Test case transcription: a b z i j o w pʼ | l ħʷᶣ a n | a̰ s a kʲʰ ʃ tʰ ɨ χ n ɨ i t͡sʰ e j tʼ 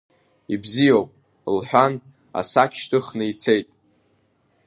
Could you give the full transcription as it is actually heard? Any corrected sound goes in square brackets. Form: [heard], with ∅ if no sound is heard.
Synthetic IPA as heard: [i] b z i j o w pʼ | l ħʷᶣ a n | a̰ s a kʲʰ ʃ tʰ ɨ χ n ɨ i t͡sʰ e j tʼ